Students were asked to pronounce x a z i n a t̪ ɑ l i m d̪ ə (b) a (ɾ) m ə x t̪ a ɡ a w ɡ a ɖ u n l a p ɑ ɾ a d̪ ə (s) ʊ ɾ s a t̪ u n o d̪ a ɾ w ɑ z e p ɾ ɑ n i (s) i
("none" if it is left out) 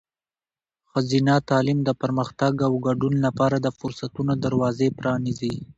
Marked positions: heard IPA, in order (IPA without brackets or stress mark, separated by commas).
p, ɾ, f, z